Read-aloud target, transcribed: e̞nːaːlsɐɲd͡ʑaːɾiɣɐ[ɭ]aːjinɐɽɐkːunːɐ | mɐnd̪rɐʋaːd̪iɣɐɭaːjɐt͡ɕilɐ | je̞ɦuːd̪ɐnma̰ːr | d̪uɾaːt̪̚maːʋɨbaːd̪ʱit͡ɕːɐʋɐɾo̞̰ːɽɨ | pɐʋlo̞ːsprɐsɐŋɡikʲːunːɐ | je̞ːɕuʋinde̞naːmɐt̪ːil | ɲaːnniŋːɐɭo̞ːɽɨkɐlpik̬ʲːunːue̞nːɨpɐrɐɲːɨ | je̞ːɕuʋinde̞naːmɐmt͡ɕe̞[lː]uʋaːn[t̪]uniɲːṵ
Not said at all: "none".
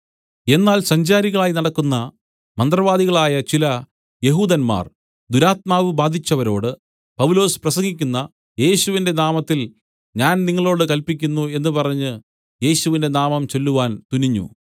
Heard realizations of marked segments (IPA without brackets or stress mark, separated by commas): ɭ, lː, t̪